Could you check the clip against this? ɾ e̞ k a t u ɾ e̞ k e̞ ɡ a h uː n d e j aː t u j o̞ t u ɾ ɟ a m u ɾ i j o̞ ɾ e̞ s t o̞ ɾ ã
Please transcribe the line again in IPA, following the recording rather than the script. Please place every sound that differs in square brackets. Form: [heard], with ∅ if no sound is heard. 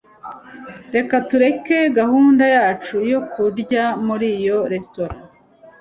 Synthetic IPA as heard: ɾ e̞ k a t u ɾ e̞ k e̞ ɡ a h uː n d [a] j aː [t͡ʃ] u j o̞ [k] u ɾ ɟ a m u ɾ i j o̞ ɾ e̞ s t o̞ ɾ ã